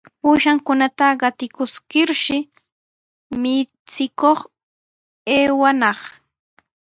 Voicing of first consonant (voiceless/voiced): voiceless